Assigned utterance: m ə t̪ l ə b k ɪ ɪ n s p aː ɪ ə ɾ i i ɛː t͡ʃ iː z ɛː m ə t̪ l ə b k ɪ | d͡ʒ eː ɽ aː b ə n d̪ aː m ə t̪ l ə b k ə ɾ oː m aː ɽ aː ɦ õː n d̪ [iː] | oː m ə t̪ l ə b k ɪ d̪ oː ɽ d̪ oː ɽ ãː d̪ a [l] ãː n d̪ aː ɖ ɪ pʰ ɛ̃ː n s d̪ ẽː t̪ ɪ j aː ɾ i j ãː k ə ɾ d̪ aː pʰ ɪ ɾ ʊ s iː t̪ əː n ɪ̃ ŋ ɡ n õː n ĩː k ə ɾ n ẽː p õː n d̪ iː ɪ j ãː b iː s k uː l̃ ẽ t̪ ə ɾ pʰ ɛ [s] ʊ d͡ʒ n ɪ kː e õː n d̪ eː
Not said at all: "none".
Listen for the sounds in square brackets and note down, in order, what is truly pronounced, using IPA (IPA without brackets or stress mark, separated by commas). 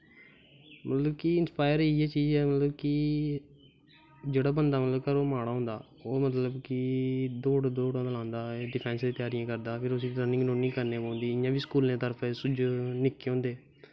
aː, l, s